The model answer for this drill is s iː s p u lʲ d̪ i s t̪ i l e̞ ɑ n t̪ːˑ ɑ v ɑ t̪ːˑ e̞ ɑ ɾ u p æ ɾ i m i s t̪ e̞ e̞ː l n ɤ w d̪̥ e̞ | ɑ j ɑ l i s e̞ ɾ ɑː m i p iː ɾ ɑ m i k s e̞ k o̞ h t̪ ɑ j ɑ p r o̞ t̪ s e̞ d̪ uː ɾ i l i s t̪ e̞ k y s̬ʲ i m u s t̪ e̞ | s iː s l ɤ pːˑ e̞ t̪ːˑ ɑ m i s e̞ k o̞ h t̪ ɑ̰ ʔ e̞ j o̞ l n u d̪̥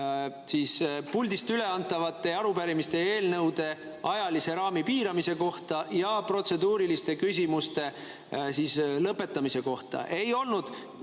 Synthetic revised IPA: s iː s p u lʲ d̪ i s t̪ y l e̞ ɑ n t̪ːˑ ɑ v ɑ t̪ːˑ e̞ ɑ ɾ u p æ ɾ i m i s t̪ e̞ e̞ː l n ɤ w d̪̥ e̞ | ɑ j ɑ l i s e̞ ɾ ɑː m i p iː ɾ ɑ m i s e̞ k o̞ h t̪ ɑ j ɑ p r o̞ t̪ s e̞ d̪ uː ɾ i l i s t̪ e̞ k y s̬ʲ i m u s t̪ e̞ | s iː s l ɤ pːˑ e̞ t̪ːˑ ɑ m i s e̞ k o̞ h t̪ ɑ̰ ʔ e̞ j o̞ l n u d̪̥